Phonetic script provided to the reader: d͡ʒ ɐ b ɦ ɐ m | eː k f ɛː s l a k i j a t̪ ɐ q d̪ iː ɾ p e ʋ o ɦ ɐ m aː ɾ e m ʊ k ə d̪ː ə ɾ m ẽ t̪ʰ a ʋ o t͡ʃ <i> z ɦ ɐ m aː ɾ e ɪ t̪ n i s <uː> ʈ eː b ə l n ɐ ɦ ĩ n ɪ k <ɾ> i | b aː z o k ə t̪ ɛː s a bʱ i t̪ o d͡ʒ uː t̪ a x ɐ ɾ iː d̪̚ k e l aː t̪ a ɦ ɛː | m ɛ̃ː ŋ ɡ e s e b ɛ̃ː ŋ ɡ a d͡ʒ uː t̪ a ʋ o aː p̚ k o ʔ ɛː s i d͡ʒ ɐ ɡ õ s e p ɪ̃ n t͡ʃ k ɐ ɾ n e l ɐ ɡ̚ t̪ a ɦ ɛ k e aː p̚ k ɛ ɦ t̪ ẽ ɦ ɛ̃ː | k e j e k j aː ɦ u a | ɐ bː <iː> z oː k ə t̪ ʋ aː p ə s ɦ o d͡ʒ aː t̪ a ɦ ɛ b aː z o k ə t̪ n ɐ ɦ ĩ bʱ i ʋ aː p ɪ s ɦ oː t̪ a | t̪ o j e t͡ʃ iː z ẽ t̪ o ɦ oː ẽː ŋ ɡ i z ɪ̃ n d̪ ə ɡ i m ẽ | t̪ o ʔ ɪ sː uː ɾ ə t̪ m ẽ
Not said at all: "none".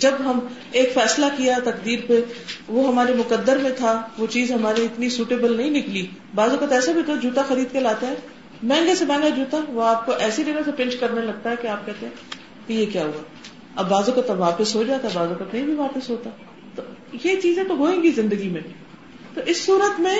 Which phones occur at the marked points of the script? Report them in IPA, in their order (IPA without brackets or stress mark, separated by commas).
iː, uː, l, aː